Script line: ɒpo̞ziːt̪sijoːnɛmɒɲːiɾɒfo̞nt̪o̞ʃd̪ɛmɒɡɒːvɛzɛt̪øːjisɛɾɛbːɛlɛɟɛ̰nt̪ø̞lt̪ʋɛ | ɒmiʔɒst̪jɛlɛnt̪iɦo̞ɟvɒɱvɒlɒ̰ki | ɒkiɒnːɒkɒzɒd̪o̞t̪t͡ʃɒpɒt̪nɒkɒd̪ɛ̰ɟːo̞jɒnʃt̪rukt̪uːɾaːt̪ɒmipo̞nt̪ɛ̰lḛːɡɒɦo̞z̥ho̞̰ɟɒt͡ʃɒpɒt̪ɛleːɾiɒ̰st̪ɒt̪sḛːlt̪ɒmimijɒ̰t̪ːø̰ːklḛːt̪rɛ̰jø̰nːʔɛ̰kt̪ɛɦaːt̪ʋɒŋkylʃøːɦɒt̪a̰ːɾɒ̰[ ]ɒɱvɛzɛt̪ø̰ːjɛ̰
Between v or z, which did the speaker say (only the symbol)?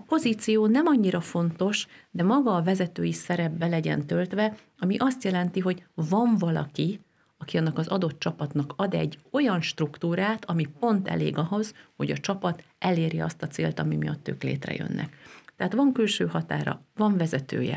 v